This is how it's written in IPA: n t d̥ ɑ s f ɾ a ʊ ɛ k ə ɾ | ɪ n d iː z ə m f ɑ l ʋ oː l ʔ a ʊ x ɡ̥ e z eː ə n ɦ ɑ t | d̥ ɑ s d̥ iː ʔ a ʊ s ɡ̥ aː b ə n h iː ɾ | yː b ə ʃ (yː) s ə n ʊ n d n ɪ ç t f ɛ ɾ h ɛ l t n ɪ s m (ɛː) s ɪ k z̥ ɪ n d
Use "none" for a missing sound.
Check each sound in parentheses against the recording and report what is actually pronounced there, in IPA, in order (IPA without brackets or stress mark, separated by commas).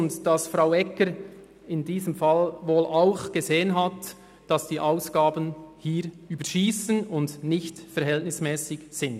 iː, ɛː